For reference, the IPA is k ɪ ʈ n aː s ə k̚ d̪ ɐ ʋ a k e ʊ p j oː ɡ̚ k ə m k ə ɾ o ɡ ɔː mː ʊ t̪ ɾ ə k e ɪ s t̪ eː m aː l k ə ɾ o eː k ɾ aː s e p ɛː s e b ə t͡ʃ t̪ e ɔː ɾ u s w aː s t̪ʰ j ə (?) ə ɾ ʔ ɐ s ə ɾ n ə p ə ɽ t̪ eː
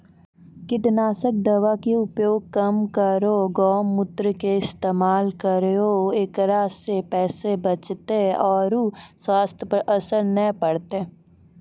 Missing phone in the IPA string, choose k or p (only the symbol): p